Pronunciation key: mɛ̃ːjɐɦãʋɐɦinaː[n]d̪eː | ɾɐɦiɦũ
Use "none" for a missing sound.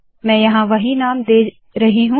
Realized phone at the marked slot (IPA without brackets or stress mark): m